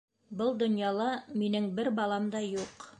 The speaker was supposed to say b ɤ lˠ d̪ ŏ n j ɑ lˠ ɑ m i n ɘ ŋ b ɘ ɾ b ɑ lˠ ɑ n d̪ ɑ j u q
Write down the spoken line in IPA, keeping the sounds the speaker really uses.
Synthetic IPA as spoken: b ɤ lˠ d̪ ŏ n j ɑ lˠ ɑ m i n ɘ ŋ b ɘ ɾ b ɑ lˠ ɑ m d̪ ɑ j u q